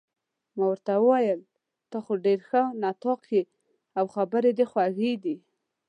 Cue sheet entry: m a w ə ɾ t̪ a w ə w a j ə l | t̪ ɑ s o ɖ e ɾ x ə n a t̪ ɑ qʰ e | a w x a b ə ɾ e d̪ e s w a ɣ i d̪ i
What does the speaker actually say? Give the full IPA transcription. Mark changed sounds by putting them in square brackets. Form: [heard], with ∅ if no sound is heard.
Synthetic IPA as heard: m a w ə ɾ t̪ a w ə w a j ə l | t̪ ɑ [x] o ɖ e ɾ x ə n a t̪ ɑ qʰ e | a w x a b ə ɾ e d̪ e [x] w a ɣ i d̪ i

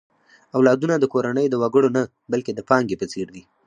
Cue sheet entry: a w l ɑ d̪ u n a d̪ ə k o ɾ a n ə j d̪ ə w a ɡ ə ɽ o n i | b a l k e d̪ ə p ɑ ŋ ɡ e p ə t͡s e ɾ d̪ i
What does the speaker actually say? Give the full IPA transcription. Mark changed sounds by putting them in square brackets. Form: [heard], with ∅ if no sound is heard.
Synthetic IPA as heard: a w l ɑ d̪ u n a d̪ ə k o ɾ a n ə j d̪ ə w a ɡ ə ɽ o n [a] | b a l k e d̪ ə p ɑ ŋ ɡ e p ə t͡s e ɾ d̪ i

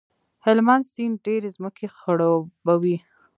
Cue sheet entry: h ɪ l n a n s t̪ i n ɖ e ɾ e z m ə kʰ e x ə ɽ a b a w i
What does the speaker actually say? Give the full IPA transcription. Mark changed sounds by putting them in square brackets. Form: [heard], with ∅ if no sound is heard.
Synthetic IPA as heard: h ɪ l [m] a n s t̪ i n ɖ e ɾ e z m ə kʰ e x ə ɽ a b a w i

